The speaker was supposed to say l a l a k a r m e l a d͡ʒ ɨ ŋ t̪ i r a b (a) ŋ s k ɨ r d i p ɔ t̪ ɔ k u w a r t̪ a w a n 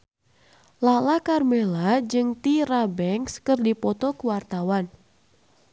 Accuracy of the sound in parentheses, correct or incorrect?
incorrect: ɛ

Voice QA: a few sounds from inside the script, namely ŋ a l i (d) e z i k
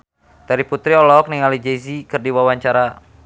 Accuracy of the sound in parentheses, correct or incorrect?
incorrect: d͡ʒ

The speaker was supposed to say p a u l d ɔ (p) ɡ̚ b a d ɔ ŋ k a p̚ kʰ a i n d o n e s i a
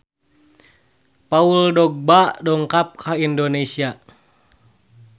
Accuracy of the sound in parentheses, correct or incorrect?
incorrect: none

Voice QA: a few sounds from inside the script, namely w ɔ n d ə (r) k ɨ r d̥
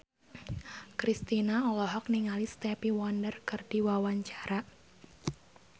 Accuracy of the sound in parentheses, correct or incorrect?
correct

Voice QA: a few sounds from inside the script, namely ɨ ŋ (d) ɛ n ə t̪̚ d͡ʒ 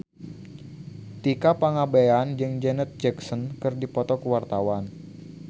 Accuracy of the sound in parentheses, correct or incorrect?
incorrect: d͡ʒ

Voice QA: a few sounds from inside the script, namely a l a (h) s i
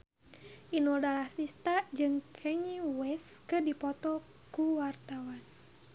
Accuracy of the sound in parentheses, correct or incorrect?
correct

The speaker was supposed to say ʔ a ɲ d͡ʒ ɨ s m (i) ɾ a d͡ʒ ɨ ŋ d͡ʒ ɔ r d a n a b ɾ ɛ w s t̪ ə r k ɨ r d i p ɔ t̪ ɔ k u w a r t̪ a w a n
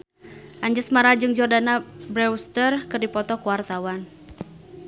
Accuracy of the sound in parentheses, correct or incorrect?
incorrect: a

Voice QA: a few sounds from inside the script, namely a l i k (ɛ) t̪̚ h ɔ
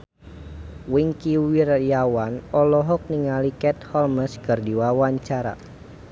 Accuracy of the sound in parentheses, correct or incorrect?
correct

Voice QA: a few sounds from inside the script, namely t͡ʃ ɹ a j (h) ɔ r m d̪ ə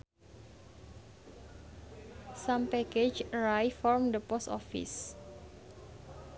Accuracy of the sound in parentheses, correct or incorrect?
incorrect: f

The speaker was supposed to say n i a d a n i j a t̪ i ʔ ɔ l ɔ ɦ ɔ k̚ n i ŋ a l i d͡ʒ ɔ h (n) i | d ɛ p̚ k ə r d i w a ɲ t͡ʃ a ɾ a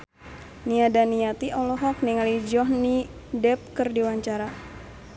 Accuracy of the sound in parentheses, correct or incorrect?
correct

